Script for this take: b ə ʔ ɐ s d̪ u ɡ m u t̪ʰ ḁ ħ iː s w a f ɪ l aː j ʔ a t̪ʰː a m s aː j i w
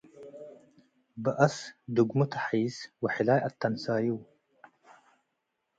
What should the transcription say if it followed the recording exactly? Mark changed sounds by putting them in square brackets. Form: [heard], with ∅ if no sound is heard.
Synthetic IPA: b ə ʔ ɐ s d̪ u ɡ m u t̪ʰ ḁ ħ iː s w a [ħ] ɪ l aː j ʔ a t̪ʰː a [n] s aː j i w